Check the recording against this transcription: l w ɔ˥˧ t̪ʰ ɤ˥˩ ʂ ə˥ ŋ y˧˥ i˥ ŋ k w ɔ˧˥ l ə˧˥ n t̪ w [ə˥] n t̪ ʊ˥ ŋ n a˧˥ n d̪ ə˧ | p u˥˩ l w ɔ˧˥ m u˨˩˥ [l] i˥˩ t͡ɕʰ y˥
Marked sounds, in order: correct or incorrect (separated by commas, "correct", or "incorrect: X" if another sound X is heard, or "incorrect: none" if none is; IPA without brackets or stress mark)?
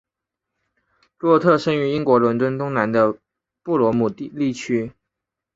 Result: correct, correct